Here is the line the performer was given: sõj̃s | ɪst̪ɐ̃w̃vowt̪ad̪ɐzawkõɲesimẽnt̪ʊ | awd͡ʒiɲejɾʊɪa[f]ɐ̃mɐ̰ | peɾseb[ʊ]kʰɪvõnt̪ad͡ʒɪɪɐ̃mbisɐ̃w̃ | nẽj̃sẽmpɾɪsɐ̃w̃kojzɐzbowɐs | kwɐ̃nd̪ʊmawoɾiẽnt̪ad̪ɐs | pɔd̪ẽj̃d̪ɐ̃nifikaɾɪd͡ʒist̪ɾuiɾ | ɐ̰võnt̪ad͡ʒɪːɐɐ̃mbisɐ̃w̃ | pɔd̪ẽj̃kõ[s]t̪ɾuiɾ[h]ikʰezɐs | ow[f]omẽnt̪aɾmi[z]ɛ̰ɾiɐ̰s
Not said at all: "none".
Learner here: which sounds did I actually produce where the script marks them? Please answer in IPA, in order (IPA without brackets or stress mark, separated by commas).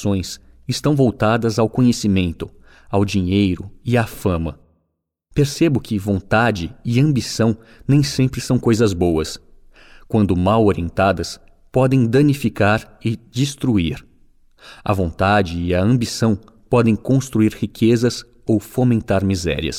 f, ʊ, s, h, f, z